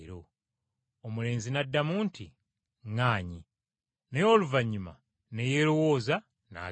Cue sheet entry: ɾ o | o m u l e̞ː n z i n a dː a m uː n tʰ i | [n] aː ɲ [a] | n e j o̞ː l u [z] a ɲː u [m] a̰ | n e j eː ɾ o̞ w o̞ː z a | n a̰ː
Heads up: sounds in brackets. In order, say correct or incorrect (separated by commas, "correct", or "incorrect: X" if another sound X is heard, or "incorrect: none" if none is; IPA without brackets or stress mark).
incorrect: ŋ, incorrect: i, incorrect: v, correct